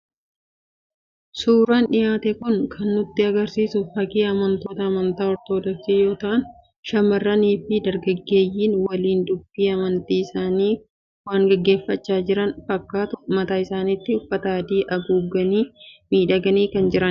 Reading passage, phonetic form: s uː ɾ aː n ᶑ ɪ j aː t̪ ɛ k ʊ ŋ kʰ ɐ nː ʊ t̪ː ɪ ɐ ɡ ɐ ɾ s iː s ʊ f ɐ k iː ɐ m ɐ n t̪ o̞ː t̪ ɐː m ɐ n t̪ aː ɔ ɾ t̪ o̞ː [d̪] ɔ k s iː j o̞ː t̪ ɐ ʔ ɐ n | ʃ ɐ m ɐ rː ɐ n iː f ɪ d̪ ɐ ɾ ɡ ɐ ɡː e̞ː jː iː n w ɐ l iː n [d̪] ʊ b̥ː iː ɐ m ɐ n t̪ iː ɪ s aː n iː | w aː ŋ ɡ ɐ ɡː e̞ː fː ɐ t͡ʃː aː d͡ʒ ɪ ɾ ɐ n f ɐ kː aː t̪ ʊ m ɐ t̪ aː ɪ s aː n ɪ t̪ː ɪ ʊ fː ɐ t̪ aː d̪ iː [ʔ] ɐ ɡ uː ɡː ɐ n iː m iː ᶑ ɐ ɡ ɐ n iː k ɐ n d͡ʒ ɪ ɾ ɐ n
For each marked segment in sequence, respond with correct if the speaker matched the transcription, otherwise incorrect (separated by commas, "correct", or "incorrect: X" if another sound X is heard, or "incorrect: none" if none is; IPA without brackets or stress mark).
correct, correct, correct